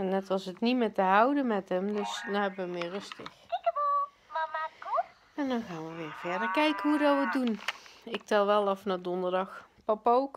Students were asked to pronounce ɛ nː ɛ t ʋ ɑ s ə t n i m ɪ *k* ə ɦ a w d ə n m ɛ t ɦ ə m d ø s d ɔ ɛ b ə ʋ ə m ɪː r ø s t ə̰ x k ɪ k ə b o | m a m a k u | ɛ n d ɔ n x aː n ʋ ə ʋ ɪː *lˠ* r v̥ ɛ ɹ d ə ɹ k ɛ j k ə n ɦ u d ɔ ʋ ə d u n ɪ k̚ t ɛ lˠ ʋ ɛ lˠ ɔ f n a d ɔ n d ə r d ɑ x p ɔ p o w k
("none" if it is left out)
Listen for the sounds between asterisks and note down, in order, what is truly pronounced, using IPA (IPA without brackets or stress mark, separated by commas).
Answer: t, none